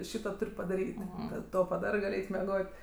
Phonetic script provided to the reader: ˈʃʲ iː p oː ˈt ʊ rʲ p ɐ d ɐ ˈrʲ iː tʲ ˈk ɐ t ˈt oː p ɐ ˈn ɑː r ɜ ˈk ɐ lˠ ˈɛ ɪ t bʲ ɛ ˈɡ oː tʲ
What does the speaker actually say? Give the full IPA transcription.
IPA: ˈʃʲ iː t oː ˈt ʊ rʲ p ɐ d ɐ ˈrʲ iː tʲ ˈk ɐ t ˈt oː p ɐ ˈd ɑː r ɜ ˈɡ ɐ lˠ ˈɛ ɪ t mʲ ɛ ˈɡ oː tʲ